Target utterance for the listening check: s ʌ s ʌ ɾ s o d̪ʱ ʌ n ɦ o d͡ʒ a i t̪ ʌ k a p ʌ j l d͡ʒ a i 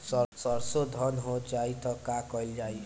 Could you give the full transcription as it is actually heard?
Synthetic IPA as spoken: s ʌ s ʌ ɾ s o d̪ʱ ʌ n ɦ o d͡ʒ a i t̪ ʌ k a k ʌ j l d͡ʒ a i